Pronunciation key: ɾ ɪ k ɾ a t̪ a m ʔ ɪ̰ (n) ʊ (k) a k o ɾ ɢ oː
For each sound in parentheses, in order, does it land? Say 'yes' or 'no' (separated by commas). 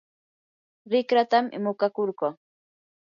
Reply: no, yes